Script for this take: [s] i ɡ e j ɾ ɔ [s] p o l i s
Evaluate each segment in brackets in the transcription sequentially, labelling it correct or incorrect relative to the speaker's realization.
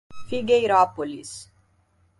incorrect, incorrect

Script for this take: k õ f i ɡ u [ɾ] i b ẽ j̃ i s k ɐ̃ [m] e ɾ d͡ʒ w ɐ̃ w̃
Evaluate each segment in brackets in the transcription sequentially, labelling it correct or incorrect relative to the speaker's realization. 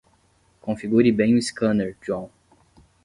correct, incorrect

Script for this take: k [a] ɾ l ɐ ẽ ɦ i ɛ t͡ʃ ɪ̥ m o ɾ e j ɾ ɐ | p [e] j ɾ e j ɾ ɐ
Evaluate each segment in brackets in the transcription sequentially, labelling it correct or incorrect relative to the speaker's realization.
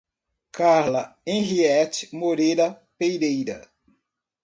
correct, correct

